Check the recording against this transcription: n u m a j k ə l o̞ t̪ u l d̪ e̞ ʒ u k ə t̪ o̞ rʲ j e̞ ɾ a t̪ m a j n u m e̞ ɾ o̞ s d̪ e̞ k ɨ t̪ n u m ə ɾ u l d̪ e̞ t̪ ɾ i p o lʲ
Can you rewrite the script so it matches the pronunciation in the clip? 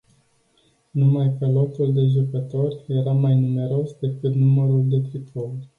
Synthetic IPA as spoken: n u m a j k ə l o̞ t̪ u l d̪ e̞ ʒ u k ə t̪ o̞ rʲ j e̞ ɾ a m a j n u m e̞ ɾ o̞ s d̪ e̞ k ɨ t̪ n u m ə ɾ u l d̪ e̞ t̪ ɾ i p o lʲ